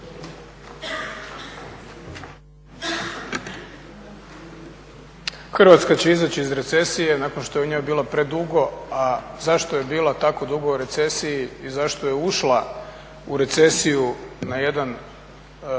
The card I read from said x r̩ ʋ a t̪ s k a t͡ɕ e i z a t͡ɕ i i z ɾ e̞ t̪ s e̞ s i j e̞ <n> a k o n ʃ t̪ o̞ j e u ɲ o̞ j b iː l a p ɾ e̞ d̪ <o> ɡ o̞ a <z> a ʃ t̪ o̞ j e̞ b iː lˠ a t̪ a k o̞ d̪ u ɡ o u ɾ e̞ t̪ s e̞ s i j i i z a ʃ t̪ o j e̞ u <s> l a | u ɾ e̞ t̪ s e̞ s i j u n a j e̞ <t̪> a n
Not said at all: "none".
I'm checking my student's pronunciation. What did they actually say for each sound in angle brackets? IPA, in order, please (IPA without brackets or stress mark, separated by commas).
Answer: n, u, z, ʃ, d̪